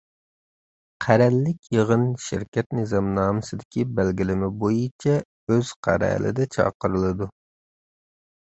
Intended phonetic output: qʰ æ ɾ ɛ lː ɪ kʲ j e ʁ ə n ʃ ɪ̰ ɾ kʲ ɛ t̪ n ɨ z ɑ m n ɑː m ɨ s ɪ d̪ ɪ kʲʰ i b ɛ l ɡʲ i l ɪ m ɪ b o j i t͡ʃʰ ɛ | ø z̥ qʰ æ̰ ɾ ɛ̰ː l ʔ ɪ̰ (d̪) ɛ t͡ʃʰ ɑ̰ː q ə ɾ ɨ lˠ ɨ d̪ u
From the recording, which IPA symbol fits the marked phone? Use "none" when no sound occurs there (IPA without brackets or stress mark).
d̪